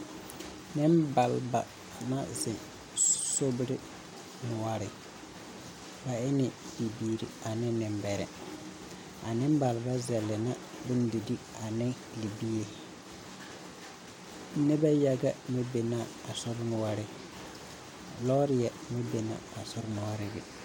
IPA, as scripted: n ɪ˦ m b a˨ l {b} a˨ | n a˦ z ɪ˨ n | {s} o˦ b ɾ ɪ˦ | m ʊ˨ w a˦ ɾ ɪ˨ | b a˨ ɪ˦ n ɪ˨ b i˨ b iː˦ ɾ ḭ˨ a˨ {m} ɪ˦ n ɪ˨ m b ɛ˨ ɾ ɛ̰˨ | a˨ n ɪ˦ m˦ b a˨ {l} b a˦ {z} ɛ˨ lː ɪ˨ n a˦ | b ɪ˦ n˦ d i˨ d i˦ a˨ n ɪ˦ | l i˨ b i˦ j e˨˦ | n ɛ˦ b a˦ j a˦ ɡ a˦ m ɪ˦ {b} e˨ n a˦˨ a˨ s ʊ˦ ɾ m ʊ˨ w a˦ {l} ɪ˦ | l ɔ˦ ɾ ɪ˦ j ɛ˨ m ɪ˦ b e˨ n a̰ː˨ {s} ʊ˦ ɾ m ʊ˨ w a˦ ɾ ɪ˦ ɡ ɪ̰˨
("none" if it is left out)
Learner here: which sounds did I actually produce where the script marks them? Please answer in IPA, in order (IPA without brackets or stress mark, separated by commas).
b, s, n, l, z, b, ɾ, s